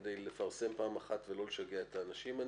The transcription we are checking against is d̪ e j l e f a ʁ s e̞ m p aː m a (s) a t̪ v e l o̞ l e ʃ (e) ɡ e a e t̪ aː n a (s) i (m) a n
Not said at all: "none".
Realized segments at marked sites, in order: χ, a, ʃ, m

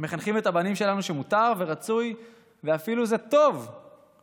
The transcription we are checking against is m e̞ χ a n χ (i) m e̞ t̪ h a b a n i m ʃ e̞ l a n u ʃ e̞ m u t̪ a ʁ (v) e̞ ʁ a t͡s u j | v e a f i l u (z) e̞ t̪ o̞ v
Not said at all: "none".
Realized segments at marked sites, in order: i, v, z

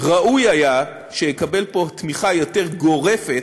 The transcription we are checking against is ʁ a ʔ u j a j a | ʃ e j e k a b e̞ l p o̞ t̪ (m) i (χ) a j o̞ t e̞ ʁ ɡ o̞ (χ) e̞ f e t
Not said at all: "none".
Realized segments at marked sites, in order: m, χ, ʁ

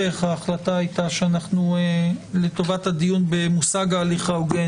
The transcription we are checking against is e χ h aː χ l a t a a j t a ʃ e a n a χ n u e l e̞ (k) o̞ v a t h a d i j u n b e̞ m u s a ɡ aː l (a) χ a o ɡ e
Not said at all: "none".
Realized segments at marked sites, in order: t, i

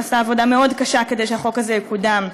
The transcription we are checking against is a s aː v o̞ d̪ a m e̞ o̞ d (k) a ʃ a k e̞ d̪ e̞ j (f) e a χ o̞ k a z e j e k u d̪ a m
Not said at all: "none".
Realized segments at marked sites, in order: k, ʃ

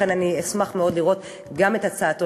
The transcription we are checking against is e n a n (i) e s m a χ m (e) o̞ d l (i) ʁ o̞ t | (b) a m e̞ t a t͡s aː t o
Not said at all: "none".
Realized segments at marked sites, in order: i, e, i, ɡ

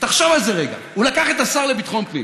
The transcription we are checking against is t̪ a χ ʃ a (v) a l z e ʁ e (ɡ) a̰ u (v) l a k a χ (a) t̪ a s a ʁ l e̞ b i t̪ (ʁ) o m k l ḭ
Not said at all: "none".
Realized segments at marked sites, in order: v, ɡ, none, e, χ

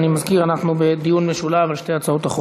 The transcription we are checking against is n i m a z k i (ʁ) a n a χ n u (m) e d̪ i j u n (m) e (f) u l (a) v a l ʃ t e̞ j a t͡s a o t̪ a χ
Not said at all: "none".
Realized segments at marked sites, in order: ʁ, b, m, ʃ, a

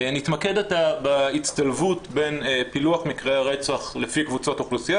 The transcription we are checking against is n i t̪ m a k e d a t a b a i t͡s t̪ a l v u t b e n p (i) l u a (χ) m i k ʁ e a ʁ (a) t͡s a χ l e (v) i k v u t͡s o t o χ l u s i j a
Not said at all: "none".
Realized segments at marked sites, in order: i, χ, e, f

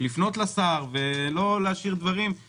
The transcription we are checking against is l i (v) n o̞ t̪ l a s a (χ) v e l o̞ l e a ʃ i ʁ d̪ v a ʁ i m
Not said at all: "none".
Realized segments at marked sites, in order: f, ʁ

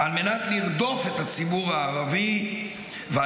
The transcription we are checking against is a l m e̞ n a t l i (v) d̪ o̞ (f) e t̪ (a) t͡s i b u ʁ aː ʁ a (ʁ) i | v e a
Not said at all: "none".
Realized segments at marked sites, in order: ʁ, f, a, v

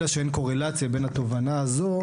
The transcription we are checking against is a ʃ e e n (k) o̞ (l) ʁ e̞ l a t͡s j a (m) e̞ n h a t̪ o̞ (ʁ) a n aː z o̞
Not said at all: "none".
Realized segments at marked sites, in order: k, none, b, v

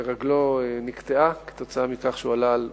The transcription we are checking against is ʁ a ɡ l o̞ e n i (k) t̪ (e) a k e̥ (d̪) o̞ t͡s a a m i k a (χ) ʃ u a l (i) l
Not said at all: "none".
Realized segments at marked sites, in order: k, e, t̪, χ, a

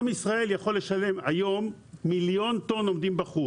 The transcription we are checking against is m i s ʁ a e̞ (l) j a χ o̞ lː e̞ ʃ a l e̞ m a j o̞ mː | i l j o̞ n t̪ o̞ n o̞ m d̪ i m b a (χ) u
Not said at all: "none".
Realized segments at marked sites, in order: l, χ

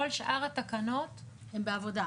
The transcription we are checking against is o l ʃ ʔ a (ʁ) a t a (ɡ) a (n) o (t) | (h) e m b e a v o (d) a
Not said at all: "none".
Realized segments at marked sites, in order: ʁ, k, n, t, h, d

